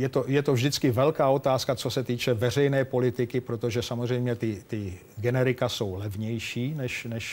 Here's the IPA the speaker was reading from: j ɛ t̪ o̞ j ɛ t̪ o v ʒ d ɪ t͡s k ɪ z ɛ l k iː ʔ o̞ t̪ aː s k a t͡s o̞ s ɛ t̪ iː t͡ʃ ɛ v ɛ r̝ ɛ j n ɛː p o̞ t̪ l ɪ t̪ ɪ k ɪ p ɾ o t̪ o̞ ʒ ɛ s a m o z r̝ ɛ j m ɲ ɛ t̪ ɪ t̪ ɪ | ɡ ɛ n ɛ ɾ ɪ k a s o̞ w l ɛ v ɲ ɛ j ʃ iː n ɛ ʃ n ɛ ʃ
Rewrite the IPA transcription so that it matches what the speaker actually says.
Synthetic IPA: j ɛ t̪ o̞ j ɛ t̪ o v ʒ d ɪ t͡s k ɪ v ɛ l k aː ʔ o̞ t̪ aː s k a t͡s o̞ s ɛ t̪ iː t͡ʃ ɛ v ɛ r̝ ɛ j n ɛː p o̞ l ɪ t̪ ɪ k ɪ p ɾ o t̪ o̞ ʒ ɛ s a m o z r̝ ɛ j m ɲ ɛ t̪ ɪ t̪ ɪ | ɡ ɛ n ɛ ɾ ɪ k a s o̞ w l ɛ v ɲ ɛ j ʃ iː n ɛ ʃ n ɛ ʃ